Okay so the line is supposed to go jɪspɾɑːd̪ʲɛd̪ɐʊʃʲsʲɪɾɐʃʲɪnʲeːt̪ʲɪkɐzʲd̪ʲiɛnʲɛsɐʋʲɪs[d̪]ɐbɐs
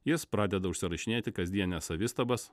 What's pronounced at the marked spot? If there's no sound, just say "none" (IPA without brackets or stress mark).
t̪